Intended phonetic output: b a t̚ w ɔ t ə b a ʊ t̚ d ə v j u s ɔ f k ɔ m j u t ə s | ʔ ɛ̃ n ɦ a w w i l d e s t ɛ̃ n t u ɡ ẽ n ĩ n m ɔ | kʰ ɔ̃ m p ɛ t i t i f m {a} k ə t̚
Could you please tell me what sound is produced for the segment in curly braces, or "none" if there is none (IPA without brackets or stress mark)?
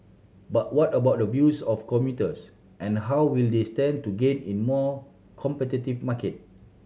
a